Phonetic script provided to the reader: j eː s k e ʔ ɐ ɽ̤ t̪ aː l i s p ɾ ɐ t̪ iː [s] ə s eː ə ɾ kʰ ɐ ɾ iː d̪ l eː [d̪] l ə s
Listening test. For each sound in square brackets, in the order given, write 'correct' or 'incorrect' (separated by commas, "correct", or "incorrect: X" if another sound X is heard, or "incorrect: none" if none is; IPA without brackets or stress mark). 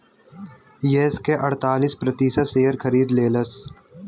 correct, incorrect: none